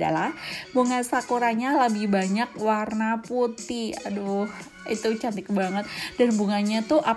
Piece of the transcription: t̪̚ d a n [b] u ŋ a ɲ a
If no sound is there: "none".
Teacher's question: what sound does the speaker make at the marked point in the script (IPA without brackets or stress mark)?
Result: b